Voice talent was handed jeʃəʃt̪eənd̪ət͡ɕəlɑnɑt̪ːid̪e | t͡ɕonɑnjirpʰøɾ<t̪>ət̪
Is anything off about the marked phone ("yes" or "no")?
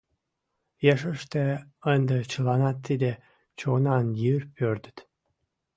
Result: yes